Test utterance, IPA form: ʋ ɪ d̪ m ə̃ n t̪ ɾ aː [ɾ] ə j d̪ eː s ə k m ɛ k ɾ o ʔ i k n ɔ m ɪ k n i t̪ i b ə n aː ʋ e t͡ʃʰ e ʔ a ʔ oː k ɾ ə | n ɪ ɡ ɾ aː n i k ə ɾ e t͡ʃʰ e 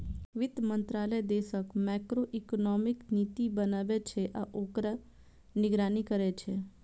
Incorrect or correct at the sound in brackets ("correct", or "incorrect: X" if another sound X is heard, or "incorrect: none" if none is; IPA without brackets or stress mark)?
incorrect: l